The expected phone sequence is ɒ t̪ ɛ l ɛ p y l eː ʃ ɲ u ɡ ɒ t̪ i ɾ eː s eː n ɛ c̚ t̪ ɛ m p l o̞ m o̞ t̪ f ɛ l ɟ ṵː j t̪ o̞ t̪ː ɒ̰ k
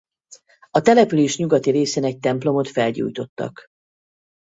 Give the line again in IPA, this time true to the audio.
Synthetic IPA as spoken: ɒ t̪ ɛ l ɛ p y l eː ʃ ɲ u ɡ ɒ t̪ i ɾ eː s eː n ɛ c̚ t̪ ɛ m p l o̞ m o̞ t̪ f ɛ l ɟ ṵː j t̪ o̞ t̪ː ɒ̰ k